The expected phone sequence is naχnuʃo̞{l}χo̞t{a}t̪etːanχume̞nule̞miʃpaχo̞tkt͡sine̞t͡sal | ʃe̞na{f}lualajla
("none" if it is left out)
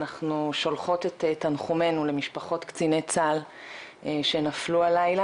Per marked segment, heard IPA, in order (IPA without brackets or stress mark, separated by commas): l, e, f